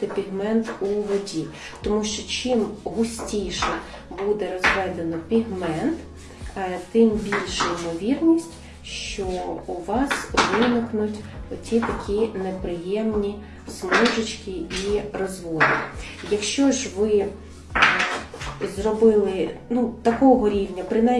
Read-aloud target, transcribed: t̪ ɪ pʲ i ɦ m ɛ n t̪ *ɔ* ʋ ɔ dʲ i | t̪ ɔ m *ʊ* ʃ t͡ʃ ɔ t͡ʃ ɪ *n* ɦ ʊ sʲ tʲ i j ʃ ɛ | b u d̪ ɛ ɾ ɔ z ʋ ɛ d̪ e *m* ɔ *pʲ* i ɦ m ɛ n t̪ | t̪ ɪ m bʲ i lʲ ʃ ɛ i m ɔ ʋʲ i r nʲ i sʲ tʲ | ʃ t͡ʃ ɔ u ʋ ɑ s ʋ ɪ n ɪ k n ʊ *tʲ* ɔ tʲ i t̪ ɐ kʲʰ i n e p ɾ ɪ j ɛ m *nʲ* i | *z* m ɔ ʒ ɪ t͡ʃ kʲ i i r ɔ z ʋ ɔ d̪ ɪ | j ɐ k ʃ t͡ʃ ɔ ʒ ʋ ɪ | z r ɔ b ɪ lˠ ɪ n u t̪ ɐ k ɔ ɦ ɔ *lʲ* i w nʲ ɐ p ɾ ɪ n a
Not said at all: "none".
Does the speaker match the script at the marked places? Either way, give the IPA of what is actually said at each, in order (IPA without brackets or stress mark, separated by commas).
u, u, m, n, pʲ, tʲ, nʲ, s, ɾʲ